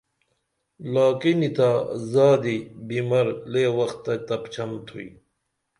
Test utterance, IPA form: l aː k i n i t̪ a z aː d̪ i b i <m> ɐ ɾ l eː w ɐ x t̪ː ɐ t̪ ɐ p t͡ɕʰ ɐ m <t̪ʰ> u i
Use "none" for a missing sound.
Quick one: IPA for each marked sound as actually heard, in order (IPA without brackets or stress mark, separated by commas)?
m, t̪ʰ